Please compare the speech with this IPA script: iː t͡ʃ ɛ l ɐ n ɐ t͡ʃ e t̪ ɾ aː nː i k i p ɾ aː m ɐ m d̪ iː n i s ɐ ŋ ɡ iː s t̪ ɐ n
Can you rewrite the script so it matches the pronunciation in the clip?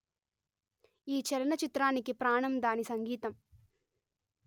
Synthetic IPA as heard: iː t͡ʃ ɛ l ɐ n ɐ t͡ʃ i t̪ ɾ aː n i k i p ɾ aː ɳ ɐ m d̪ aː n i s ɐ ŋ ɡ iː t̪ ɐ m